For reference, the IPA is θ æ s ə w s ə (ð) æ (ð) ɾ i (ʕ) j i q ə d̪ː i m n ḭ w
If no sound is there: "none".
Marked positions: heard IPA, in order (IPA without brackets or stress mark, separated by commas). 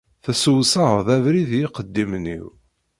ð, v, ð